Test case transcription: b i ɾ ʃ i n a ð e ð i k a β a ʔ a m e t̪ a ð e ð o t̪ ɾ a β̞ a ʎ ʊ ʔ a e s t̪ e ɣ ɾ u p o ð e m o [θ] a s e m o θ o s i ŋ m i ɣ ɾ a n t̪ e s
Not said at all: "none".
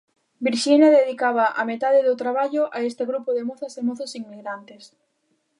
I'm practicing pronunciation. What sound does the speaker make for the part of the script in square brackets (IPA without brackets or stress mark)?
θ